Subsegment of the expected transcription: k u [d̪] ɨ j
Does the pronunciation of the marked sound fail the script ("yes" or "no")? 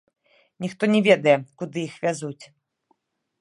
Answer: no